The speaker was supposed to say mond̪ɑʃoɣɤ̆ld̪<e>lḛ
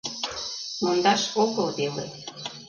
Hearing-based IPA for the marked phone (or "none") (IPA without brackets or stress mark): e